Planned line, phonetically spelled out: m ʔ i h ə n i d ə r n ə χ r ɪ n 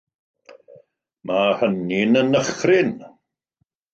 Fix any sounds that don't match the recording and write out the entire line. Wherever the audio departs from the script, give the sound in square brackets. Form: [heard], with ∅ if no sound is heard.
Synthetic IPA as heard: m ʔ [a] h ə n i [n] ə [∅] n ə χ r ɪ n